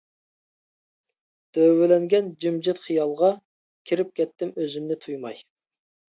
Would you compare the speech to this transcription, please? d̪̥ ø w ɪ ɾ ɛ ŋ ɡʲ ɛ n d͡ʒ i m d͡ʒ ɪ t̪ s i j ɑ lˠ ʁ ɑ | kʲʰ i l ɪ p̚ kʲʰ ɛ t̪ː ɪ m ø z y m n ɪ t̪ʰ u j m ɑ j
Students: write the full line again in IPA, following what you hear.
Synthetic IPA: d̪̥ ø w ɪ l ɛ ŋ ɡʲ ɛ n d͡ʒ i m d͡ʒ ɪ t̪ χ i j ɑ lˠ ʁ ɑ | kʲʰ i ɾ ɪ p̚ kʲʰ ɛ t̪ː ɪ m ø z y m n ɪ t̪ʰ u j m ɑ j